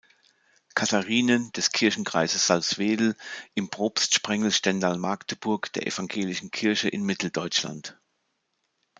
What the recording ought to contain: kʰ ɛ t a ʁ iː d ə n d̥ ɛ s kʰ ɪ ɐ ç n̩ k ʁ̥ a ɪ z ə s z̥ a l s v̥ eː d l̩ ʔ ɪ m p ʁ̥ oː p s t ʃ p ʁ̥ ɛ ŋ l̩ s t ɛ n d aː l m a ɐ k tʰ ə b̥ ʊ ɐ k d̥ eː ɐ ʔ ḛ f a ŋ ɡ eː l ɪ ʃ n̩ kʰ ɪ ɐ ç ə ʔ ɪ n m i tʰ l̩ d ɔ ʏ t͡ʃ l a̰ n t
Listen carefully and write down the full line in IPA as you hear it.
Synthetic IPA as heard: kʰ a t a ʁ iː n ə n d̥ ɛ s kʰ ɪ ɐ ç n̩ k ʁ̥ a ɪ z ə s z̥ a l s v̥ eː d l̩ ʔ ɪ m p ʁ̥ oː p s t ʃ p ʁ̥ ɛ ŋ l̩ ʃ t ɛ n d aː l m a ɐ k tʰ ə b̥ ʊ ɐ k d̥ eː ɐ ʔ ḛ f a ŋ ɡ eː l ɪ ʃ n̩ kʰ ɪ ɐ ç ə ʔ ɪ n m ɪ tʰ l̩ d ɔ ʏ t͡ʃ l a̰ n t